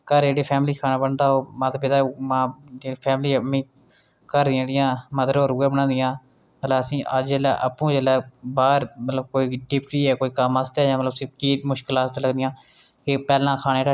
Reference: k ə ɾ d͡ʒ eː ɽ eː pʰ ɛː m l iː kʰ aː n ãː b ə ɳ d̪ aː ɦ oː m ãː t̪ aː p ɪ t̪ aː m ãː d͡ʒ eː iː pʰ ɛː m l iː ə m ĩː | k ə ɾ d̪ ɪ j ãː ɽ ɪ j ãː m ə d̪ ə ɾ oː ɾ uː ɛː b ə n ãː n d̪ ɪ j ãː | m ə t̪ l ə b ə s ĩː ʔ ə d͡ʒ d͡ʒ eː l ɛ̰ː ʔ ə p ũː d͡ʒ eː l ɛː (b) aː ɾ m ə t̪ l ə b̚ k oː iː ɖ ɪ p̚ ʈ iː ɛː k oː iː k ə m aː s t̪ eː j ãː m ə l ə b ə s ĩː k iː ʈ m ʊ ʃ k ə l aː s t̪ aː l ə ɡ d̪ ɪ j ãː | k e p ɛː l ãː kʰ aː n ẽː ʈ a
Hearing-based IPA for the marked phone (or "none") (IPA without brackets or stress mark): b